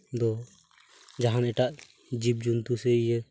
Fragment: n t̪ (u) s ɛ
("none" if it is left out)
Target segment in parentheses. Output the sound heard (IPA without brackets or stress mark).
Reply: u